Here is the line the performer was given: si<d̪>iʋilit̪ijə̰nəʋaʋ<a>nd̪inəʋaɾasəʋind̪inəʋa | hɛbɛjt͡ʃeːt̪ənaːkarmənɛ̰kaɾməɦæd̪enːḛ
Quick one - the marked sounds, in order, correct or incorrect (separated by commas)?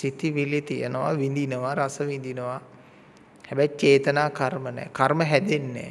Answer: incorrect, incorrect